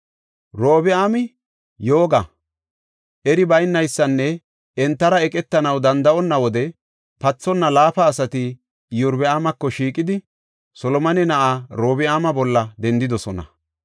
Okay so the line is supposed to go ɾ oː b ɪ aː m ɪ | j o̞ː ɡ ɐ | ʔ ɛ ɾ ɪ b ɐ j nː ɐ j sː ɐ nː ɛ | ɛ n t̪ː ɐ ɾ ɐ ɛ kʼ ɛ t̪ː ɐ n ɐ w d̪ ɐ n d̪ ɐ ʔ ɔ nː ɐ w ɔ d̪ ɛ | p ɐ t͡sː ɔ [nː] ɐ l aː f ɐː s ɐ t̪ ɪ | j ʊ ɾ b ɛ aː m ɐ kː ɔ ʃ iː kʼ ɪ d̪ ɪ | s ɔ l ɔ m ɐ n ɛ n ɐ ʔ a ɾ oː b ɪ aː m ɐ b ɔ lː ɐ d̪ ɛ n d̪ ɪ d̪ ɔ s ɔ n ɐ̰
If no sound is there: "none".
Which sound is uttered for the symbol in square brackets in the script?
nː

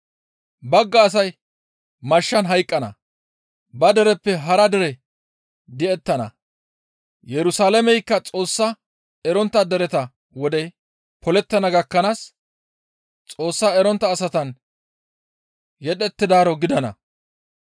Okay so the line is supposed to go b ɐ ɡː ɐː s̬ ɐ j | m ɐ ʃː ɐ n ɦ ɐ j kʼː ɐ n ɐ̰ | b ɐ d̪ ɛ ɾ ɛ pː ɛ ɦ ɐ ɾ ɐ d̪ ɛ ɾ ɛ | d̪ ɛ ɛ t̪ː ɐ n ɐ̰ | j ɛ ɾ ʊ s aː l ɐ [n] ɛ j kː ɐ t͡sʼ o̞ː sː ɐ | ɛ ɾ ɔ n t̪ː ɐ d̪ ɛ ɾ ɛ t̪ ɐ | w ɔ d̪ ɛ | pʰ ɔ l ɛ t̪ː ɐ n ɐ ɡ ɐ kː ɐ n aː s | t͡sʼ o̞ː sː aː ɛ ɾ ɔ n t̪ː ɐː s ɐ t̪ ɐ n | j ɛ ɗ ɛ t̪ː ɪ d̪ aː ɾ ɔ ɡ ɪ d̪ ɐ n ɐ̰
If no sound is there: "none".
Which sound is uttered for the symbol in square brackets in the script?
m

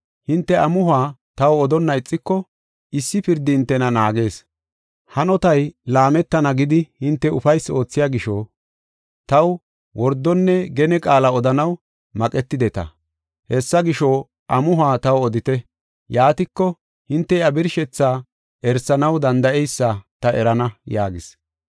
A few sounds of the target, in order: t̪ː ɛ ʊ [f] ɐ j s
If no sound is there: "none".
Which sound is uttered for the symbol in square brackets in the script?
f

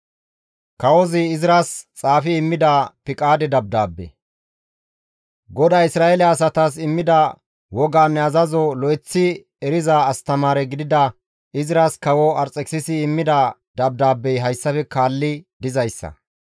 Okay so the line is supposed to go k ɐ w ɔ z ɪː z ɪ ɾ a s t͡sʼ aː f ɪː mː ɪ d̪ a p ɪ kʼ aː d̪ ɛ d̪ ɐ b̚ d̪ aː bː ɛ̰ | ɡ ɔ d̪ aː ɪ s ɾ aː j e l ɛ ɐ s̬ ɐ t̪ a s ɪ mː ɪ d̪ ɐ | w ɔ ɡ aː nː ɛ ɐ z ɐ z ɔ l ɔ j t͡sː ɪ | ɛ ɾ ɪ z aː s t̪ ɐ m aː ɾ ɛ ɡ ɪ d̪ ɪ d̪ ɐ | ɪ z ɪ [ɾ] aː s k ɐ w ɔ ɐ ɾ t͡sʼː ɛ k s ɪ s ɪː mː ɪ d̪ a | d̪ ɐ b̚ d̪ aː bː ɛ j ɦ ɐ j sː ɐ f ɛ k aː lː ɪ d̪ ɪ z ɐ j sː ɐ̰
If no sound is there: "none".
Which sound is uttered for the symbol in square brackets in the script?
ɾ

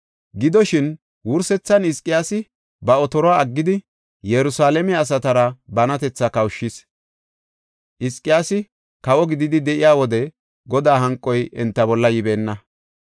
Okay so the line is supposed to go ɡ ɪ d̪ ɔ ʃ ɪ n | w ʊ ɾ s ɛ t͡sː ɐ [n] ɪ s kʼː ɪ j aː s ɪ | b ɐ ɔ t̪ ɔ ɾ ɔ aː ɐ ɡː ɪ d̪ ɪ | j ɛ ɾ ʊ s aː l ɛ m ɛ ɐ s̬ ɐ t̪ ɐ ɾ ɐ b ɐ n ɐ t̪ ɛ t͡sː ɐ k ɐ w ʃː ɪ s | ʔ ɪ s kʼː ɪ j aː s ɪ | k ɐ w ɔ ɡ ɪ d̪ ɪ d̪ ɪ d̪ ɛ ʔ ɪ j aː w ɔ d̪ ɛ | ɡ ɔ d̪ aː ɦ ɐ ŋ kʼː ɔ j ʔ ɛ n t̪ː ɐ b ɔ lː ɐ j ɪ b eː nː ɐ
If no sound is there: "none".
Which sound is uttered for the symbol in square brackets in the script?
n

